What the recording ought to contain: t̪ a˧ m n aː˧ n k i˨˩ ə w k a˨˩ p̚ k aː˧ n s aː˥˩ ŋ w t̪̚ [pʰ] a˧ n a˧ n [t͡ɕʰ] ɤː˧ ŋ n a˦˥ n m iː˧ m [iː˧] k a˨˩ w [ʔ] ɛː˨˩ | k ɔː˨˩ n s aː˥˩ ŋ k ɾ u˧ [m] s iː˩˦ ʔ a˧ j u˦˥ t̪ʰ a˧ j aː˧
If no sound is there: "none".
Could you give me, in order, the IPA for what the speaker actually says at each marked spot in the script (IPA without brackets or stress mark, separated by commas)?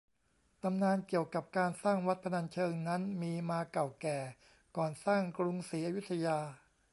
pʰ, t͡ɕʰ, aː˧, k, ŋ